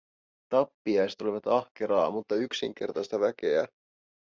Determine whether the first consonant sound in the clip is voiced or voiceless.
voiceless